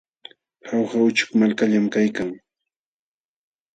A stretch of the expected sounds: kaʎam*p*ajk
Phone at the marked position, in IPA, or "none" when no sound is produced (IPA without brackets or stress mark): k